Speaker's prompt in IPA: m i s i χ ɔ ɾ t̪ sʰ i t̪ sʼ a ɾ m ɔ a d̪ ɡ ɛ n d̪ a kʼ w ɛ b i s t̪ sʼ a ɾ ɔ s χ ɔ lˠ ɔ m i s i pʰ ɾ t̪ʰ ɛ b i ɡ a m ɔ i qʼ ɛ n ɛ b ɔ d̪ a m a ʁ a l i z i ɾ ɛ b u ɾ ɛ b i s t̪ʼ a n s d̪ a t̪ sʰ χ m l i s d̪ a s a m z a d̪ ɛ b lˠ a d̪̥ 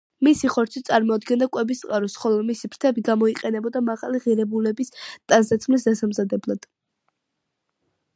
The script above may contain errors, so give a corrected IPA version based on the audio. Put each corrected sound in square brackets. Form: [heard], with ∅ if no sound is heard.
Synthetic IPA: m i s i χ ɔ ɾ t̪ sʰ i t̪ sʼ a ɾ m ɔ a d̪ ɡ ɛ n d̪ a kʼ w ɛ b i s t̪ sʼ a ɾ ɔ s χ ɔ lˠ ɔ m i s i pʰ ɾ t̪ʰ ɛ b i ɡ a m ɔ i qʼ ɛ n ɛ b ɔ d̪ a m a ʁ a l i [ʁ] i ɾ ɛ b u [l] ɛ b i s t̪ʼ a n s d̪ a t̪ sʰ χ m l i s d̪ a s a m z a d̪ ɛ b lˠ a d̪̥